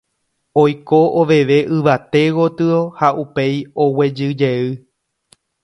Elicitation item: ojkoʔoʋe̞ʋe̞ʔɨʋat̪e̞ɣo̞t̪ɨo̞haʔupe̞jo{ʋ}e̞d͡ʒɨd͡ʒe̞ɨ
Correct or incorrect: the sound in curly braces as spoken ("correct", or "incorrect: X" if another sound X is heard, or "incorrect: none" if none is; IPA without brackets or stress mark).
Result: incorrect: w